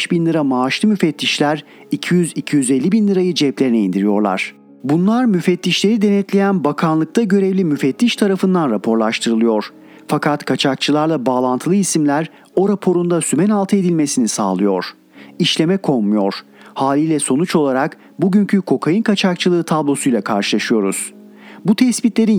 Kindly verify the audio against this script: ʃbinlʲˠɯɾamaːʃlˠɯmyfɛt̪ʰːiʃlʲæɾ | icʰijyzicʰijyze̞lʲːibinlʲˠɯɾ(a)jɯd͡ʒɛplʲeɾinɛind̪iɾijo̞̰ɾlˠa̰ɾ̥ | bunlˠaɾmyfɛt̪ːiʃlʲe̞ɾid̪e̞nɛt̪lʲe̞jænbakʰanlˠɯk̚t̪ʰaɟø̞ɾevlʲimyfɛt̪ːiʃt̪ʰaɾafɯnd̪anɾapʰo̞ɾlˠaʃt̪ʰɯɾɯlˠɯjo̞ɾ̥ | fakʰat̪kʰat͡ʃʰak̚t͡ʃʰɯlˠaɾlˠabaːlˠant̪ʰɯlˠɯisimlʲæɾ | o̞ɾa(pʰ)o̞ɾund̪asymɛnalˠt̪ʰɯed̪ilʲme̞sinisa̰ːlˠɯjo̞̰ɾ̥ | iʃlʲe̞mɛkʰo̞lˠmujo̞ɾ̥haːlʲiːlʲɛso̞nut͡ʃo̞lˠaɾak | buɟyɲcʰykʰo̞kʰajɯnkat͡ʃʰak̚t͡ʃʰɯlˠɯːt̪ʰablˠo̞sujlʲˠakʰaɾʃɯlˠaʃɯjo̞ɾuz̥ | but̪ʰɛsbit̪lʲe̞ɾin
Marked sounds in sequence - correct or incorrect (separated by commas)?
correct, correct